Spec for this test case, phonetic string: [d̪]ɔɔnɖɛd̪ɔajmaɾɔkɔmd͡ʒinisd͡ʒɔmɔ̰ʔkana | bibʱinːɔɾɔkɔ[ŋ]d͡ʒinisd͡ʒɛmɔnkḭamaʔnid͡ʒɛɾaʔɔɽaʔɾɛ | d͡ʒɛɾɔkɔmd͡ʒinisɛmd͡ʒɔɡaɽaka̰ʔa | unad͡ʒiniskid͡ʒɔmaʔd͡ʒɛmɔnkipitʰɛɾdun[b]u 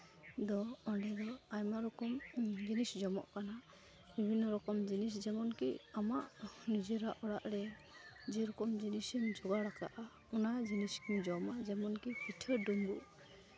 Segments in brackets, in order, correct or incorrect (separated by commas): correct, incorrect, correct